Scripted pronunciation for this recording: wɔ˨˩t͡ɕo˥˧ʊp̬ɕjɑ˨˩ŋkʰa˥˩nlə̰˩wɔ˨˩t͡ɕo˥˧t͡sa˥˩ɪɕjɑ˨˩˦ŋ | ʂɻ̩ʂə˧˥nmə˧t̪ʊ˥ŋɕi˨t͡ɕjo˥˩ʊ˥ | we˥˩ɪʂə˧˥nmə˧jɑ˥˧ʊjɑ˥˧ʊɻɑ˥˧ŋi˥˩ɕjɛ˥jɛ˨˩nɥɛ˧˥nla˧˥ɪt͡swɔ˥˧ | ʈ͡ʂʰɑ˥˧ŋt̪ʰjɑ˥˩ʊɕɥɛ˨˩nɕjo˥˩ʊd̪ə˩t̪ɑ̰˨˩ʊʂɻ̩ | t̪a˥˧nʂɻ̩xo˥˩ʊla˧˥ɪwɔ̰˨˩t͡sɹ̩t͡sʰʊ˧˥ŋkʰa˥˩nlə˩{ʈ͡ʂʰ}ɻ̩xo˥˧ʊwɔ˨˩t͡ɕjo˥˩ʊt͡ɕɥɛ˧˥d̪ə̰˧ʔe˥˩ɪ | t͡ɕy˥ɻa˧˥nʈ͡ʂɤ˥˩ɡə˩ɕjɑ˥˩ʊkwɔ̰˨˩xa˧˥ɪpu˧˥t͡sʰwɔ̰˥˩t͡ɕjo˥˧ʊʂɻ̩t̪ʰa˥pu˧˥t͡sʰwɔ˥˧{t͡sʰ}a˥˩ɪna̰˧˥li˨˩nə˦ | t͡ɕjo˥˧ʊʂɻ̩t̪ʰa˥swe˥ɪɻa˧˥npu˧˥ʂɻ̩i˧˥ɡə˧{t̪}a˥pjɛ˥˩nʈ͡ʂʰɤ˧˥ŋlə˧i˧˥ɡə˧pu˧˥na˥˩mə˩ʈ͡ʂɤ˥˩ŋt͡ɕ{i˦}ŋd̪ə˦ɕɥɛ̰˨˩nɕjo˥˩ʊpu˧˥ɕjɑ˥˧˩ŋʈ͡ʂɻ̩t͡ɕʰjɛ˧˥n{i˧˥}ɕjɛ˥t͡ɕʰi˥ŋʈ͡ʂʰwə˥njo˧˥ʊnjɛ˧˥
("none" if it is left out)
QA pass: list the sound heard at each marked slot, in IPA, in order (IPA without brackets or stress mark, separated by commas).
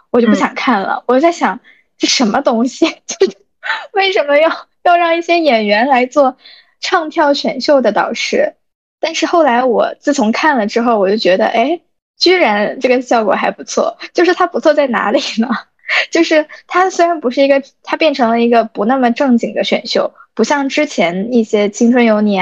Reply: ʈ͡ʂ, t͡s, t̪ʰ, i˨˩, i˥˩